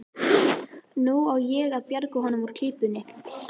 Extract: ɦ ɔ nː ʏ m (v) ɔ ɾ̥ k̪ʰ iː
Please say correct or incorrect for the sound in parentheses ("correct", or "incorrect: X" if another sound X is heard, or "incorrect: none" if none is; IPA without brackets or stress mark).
correct